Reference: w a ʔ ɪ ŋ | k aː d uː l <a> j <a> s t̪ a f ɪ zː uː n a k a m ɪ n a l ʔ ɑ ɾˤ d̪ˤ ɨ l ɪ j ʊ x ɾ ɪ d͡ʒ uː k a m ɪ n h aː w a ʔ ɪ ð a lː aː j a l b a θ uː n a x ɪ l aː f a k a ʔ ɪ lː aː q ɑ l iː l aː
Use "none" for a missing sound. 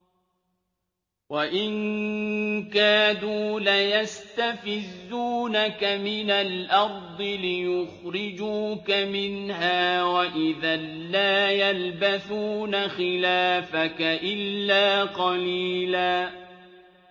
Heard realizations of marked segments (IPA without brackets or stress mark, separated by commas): a, a